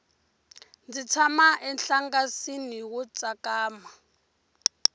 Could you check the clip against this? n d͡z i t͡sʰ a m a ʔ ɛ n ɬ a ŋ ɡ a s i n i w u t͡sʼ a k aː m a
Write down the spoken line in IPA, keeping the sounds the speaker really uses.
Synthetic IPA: n d͡z i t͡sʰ a m a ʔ ɛ n ɬ a ŋ ɡ a s i n i w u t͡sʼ a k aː m a